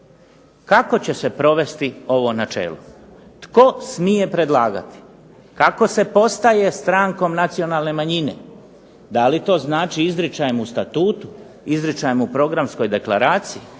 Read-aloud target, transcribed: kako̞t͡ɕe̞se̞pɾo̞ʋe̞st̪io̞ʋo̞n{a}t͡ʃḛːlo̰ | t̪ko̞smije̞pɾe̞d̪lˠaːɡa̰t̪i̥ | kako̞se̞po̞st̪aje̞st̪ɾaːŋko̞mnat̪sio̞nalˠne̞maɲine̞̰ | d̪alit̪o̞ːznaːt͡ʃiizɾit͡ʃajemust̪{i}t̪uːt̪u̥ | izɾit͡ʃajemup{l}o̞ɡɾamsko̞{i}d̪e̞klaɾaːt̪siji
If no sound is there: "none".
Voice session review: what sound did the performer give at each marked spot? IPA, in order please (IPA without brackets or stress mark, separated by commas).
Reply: a, a, ɾ, j